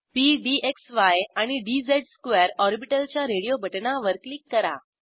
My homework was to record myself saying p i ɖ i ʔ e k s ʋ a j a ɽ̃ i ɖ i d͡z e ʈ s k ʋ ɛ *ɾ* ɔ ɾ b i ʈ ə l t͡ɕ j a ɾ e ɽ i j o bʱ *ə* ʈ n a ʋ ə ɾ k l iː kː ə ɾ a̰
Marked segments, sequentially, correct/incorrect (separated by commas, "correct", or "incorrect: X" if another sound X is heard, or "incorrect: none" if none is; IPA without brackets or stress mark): correct, correct